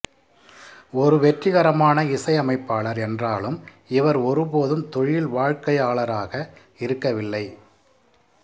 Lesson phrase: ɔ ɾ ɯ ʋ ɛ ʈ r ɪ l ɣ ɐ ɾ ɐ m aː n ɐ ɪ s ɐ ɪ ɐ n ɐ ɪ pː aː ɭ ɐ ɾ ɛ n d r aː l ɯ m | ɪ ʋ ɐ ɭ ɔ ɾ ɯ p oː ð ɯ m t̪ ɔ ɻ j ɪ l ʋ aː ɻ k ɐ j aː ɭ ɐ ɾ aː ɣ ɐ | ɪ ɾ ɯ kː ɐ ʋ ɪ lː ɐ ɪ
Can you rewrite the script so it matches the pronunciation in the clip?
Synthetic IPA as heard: ɔ ɾ ɯ ʋ ɛ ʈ r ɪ ɣ ɐ ɾ ɐ m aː n ɐ ɪ s ɐ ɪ ɐ m ɐ ɪ pː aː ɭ ɐ ɾ ɛ n d r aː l ɯ m | ɪ ʋ ɐ ɾ ɔ ɾ ɯ p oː ð ɯ m t̪ ɔ ɻ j ɪ l ʋ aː ɻ k ɐ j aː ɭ ɐ ɾ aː ɣ ɐ | ɪ ɾ ɯ kː ɐ ʋ ɪ lː ɐ ɪ

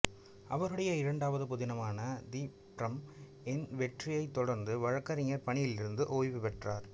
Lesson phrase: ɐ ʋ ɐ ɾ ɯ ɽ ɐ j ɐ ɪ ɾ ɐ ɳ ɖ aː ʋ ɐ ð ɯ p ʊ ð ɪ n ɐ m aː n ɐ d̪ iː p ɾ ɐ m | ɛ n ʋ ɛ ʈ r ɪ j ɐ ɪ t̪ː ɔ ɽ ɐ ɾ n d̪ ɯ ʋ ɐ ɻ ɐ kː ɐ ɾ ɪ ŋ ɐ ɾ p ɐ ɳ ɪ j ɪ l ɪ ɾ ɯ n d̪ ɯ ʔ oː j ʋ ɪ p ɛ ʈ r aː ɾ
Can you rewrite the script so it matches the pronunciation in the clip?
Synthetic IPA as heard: ɐ ʋ ɐ ɾ ɯ ɽ ɐ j ɐ ɪ ɾ ɐ ɳ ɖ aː ʋ ɐ ð ɯ p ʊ ð ɪ n ɐ m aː n ɐ d̪ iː p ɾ ɐ m | ɛ n ʋ ɛ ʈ r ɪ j ɐ ɪ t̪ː ɔ ɽ ɐ ɾ n d̪ ɯ ʋ ɐ ɻ ɐ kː ɐ ɾ ɪ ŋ ɐ ɾ p ɐ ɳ ɪ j ɪ l ɪ ɾ ɯ n d̪ ɯ ʔ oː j ʋ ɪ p ɛ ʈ r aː ɾ

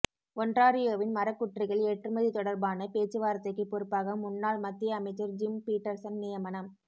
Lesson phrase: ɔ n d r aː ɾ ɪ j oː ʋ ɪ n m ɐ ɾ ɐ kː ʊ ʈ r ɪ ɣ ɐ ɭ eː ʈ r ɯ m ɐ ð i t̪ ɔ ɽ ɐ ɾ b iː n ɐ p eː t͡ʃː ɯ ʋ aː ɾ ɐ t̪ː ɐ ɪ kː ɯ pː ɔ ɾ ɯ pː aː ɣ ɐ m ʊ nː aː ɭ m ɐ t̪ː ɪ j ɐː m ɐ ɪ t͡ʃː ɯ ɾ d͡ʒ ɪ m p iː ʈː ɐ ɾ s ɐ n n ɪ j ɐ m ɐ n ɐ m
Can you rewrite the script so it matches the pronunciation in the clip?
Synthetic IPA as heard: ɔ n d r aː ɾ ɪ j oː ʋ ɪ n m ɐ ɾ ɐ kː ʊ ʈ r ɪ ɣ ɐ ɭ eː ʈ r ɯ m ɐ ð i t̪ ɔ ɽ ɐ ɾ b aː n ɐ p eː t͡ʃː ɯ ʋ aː ɾ ɐ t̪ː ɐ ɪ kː ɯ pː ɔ ɾ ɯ pː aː ɣ ɐ m ʊ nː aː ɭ m ɐ t̪ː ɪ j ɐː m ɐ ɪ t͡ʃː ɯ ɾ d͡ʒ ɪ m p iː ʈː ɐ ɾ s ɐ n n ɪ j ɐ m ɐ n ɐ m

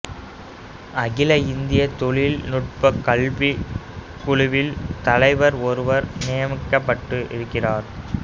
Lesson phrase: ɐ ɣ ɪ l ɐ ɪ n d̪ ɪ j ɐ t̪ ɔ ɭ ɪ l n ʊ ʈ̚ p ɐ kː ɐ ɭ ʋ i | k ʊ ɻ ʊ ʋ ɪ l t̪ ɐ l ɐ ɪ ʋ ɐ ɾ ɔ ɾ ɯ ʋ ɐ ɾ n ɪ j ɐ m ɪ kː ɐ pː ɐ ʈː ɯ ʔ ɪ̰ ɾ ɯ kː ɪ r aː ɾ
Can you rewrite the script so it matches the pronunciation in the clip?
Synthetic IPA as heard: ɐ ɣ ɪ l ɐ ɪ n d̪ ɪ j ɐ t̪ ɔ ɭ ɪ l n ʊ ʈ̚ p ɐ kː ɐ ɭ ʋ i | k ʊ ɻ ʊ ʋ ɪ l t̪ ɐ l ɐ ɪ ʋ ɐ ɾ ɔ ɾ ɯ ʋ ɐ ɾ n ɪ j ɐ m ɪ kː ɐ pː ɐ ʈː ɯ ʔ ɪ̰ ɾ ɯ kː ɪ r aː ɾ

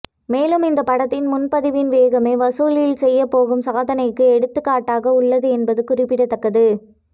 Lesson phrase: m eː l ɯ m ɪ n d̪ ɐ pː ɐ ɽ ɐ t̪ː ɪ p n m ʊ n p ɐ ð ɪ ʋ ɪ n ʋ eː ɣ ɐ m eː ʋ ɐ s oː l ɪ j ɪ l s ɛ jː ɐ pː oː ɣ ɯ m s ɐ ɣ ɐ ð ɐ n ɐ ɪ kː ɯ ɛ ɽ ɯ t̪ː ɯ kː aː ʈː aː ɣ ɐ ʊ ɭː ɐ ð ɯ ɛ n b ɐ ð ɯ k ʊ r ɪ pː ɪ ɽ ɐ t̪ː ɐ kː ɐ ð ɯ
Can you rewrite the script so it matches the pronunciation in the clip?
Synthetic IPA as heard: m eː l ɯ m ɪ n d̪ ɐ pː ɐ ɽ ɐ t̪ː ɪ n m ʊ n p ɐ ð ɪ ʋ ɪ n ʋ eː ɣ ɐ m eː ʋ ɐ s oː l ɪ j ɪ l s ɛ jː ɐ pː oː ɣ ɯ m s ɐ ɣ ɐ ð ɐ n ɐ ɪ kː ɯ ɛ ɽ ɯ t̪ː ɯ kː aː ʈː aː ɣ ɐ ʊ ɭː ɐ ð ɯ ɛ n b ɐ ð ɯ k ʊ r ɪ pː ɪ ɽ ɐ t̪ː ɐ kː ɐ ð ɯ

